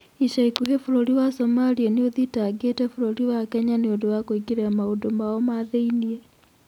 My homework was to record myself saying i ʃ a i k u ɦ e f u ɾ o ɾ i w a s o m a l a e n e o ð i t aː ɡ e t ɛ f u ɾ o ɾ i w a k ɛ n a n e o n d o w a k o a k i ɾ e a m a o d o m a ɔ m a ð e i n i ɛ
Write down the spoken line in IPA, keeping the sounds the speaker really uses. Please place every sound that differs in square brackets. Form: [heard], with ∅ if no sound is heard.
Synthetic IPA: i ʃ a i k u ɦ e f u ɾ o ɾ i w a s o m a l [i] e n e o ð i t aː ɡ e t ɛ f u ɾ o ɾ i w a k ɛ [ɲ] a n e o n d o w a k o [i] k i ɾ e a m a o d o m a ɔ m a ð e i n i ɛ

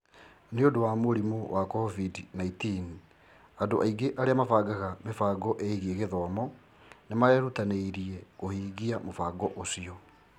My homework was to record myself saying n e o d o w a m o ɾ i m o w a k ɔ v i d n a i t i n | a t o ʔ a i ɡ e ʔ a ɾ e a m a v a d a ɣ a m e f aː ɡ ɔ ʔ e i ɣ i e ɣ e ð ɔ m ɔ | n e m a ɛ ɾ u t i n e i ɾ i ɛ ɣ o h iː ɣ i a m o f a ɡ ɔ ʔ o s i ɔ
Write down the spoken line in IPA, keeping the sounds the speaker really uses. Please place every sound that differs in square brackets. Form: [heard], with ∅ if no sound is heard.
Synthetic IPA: n e o d o w a m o ɾ i m o w a k ɔ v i d n a i t i n | a [d] o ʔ a i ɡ e ʔ a ɾ e a m a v a [ɡ] a ɣ a m e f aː ɡ ɔ ʔ e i ɣ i e ɣ e ð ɔ m ɔ | n e m a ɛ ɾ u t [a] n e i ɾ i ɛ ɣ o h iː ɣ i a m o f a ɡ ɔ ʔ o s i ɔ

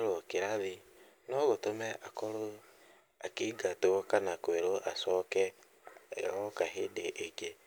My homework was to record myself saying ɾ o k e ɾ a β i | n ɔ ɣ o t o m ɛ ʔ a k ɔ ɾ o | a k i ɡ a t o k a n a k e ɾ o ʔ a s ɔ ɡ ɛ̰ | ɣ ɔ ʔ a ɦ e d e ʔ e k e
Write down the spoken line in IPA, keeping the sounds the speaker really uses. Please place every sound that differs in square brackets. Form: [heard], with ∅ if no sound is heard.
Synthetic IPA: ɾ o k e ɾ a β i | n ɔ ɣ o t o m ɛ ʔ a k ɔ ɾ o | a k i ɡ a t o k a n a k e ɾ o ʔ a s ɔ [k] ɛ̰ | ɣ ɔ [k] a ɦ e d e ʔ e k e

